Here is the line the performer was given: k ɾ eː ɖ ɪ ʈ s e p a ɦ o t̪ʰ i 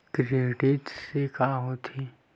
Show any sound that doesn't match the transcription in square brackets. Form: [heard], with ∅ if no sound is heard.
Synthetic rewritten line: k ɾ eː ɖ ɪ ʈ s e [k] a ɦ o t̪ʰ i